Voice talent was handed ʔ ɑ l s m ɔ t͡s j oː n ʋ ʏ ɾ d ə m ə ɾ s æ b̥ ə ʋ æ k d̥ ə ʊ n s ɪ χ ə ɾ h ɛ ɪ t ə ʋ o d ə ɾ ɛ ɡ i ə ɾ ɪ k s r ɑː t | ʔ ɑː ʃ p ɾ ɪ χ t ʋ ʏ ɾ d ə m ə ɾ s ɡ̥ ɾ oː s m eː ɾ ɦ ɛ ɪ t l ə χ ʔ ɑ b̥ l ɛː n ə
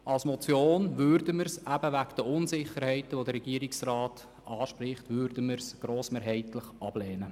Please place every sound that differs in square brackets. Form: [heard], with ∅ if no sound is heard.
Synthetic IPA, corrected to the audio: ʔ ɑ l s m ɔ t͡s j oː n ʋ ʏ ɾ d ə m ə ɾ s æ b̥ ə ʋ æ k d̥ ə ʊ n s ɪ χ ə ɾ h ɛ ɪ t ə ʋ o d ə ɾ ɛ ɡ i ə ɾ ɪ k s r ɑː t | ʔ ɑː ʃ p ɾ ɪ χ t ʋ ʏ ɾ d ə m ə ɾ s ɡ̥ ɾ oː s m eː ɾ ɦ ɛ ɪ t l ə χ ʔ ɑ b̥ l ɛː n ə